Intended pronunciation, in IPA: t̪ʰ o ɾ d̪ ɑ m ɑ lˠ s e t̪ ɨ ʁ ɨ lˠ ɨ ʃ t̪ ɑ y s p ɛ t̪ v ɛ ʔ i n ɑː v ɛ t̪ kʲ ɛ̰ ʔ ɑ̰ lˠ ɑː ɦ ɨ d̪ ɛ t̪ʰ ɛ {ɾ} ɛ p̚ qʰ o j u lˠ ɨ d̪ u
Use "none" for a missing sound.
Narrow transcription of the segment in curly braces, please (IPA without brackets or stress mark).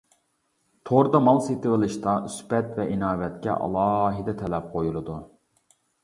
l